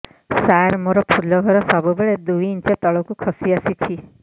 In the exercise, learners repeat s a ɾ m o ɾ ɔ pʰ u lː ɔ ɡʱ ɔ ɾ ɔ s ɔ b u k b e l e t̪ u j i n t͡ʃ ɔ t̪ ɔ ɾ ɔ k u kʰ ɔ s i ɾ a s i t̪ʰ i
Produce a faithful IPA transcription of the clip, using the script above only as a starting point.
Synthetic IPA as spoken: s a ɾ m o ɾ ɔ pʰ u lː ɔ ɡʱ ɔ ɾ ɔ s ɔ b u b e ɭ e d̪ u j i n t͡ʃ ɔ t̪ ɔ ɭ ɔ k u kʰ ɔ s i a s i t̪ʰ i